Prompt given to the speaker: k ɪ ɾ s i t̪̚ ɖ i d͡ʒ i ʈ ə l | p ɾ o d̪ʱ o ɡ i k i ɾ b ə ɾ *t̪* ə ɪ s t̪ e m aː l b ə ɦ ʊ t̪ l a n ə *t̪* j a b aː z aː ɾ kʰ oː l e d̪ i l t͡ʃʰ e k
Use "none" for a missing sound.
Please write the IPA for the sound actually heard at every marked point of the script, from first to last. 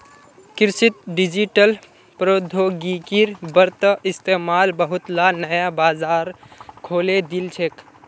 t̪, none

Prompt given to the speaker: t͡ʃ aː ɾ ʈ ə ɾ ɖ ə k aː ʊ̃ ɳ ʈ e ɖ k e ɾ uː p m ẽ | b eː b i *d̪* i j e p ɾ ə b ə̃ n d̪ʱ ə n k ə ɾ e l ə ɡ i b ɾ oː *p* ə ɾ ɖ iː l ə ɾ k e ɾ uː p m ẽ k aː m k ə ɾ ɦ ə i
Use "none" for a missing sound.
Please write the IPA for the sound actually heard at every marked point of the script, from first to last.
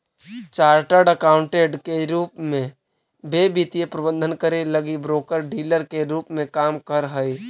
t̪, k

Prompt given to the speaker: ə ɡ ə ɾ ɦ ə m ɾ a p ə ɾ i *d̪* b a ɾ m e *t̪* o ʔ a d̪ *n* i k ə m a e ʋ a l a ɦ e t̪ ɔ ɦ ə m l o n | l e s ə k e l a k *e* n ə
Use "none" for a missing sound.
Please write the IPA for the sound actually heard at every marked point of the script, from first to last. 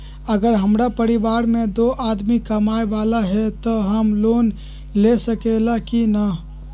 none, d̪, m, i

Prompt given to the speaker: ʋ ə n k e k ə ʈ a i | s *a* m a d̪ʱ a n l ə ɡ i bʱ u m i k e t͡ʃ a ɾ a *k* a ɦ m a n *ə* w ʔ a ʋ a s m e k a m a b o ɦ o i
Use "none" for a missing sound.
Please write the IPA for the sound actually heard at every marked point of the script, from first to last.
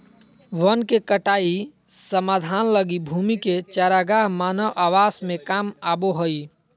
ə, ɡ, ə

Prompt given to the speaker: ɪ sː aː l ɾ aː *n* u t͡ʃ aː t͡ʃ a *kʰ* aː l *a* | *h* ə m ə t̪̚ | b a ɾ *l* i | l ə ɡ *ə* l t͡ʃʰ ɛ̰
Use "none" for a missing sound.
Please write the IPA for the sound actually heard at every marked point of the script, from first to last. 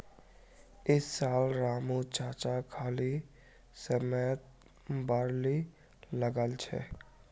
m, kʰ, i, s, l, ə

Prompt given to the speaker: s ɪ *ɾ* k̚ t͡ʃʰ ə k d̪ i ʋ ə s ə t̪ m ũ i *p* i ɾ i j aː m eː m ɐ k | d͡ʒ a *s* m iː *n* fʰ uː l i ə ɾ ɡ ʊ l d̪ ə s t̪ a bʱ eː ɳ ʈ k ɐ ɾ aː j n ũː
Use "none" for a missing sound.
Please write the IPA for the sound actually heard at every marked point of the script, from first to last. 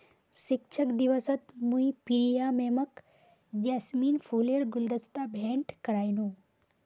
none, p, s, n

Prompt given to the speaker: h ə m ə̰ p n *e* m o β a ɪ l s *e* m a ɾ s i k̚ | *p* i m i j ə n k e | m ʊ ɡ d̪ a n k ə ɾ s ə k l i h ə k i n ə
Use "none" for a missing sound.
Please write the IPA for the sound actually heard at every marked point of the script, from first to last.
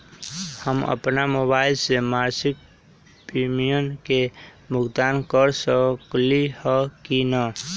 a, e, p

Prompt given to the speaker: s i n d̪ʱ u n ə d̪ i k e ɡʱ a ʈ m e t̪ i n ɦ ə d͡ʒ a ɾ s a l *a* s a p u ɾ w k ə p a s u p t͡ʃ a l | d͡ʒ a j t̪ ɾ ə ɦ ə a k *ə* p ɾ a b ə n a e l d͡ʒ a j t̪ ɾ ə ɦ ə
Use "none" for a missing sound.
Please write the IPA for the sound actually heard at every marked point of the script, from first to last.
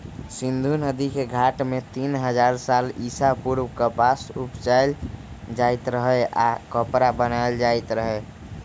i, ə

